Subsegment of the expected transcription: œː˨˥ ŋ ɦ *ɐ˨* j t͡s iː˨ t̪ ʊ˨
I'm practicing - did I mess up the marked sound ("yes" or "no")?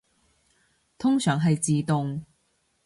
no